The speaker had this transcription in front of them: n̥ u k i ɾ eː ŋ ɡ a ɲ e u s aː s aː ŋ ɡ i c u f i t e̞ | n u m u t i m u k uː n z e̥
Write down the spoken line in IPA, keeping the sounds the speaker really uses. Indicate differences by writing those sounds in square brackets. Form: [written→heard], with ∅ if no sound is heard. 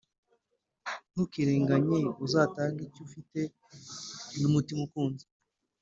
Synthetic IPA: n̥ u k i ɾ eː ŋ ɡ a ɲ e u [s→z] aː [s→t] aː ŋ ɡ i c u f i t e̞ | n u m u t i m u k uː n z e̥